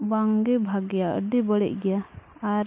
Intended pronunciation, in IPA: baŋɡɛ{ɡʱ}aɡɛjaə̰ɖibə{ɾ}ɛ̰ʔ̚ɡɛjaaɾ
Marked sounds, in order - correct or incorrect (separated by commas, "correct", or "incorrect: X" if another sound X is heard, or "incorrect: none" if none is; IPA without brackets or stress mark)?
incorrect: bʱ, incorrect: ɽ